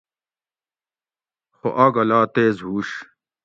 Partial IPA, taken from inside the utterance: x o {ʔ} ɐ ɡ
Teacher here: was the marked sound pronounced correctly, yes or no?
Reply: yes